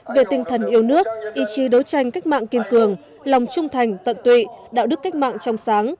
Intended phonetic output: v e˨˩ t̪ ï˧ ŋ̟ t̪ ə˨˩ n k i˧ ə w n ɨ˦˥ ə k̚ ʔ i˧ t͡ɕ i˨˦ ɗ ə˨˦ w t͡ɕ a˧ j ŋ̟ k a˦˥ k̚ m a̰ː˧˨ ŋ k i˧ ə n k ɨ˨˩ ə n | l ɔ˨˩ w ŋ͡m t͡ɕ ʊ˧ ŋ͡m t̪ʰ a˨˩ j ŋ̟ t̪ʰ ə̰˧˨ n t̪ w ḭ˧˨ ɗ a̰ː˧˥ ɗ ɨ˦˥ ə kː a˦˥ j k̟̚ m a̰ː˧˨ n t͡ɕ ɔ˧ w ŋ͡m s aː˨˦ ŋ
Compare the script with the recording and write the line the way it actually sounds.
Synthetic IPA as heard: v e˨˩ t̪ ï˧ ŋ̟ t̪ʰ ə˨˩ n ʔ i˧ ə w n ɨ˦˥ ə k̚ ʔ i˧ t͡ɕ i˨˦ ɗ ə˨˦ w t͡ɕ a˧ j ŋ̟ k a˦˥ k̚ m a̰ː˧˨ ŋ k i˧ ə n k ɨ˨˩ ə ŋ | l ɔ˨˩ w ŋ͡m t͡ɕ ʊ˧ ŋ͡m t̪ʰ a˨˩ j ŋ̟ t̪ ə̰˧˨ n t̪ w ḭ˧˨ ɗ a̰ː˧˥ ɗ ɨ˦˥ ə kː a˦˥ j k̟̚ m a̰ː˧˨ ŋ t͡ɕ ɔ˧ w ŋ͡m s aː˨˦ ŋ